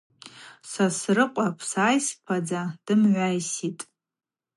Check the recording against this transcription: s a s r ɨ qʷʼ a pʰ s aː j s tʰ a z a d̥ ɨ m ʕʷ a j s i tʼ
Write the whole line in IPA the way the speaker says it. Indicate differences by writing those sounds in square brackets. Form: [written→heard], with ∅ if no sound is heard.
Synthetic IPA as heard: s a s r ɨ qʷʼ a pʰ s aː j s [tʰ→pʰ] a [z→d͡z] a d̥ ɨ m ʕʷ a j s i tʼ